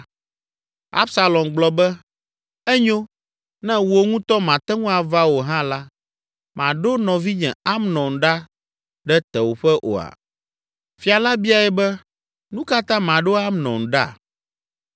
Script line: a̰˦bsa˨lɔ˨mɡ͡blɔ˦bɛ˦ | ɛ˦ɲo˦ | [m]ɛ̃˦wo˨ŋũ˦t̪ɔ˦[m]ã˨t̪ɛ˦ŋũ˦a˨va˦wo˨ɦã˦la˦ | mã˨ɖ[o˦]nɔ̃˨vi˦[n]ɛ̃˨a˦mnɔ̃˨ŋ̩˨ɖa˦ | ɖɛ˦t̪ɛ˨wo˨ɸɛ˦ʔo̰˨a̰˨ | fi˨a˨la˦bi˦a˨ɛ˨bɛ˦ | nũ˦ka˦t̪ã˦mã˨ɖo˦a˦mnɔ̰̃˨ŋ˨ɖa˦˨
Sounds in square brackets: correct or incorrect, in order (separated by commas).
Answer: incorrect, correct, correct, incorrect